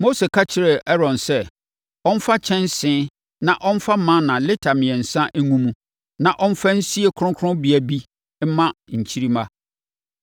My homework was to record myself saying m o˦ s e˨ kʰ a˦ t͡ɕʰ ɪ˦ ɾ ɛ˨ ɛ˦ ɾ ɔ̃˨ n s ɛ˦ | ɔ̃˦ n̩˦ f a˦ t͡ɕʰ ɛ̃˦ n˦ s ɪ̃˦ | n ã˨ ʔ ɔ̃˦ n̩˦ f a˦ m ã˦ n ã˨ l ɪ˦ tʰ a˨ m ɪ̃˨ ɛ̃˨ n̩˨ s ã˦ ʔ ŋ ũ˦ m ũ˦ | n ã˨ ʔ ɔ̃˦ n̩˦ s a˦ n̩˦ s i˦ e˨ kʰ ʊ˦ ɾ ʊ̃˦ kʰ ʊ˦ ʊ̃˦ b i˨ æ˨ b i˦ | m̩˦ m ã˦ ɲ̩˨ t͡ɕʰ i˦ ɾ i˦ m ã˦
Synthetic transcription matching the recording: m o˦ s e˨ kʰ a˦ t͡ɕʰ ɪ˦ ɾ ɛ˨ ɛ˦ ɾ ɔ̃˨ n s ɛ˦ | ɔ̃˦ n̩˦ f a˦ t͡ɕʰ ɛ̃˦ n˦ s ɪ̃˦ | n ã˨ ʔ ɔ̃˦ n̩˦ f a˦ m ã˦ n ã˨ l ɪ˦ tʰ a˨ m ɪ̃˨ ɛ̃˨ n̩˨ s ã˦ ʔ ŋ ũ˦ m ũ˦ | n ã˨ ʔ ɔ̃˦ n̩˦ f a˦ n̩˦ s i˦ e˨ kʰ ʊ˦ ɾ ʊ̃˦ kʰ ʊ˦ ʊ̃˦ b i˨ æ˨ b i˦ | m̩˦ m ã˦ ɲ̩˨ t͡ɕʰ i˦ ɾ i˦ m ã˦